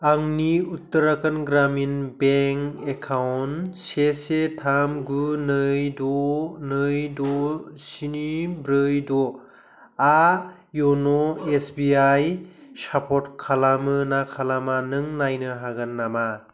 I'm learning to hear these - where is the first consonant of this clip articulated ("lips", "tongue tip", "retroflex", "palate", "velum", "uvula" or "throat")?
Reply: velum